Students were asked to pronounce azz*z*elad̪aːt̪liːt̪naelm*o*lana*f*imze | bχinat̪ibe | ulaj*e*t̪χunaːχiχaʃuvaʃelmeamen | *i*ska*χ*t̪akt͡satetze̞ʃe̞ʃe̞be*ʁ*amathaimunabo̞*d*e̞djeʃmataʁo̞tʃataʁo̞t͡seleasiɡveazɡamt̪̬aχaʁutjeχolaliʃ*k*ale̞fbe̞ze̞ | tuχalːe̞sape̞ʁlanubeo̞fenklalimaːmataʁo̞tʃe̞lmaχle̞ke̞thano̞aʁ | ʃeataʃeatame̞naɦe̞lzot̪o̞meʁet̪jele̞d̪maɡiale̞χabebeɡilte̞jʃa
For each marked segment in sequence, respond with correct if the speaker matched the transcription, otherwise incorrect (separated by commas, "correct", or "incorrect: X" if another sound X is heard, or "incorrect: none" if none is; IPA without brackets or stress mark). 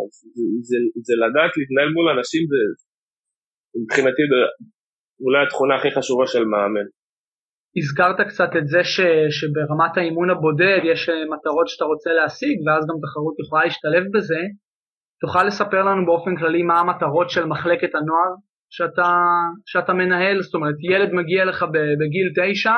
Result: correct, incorrect: u, incorrect: ʃ, incorrect: a, correct, incorrect: ʁ, correct, correct, incorrect: t